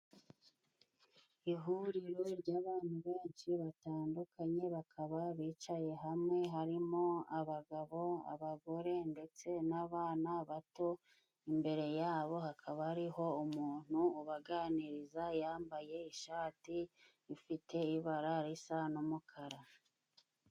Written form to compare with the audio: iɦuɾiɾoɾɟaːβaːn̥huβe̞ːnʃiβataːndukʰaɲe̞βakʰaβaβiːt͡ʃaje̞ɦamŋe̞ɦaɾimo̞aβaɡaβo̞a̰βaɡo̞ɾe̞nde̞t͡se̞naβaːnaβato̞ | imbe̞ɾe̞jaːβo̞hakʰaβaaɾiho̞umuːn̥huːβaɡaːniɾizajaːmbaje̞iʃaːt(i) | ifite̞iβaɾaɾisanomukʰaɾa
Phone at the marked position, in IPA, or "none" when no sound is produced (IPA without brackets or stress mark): i